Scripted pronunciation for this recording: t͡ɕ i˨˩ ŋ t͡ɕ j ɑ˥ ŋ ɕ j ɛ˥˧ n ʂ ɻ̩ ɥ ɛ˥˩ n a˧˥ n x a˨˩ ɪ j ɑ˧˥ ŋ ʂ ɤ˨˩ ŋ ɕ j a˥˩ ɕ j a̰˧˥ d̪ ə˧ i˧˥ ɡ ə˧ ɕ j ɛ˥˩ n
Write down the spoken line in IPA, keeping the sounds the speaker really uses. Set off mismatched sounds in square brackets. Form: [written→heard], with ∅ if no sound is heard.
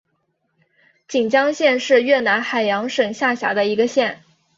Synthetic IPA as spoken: t͡ɕ i˨˩ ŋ t͡ɕ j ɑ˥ ŋ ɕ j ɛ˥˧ n ʂ ɻ̩ ɥ ɛ˥˩ n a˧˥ n x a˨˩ ɪ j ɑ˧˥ ŋ ʂ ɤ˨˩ ŋ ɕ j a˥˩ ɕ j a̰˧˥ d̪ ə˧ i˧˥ ɡ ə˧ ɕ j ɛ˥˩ n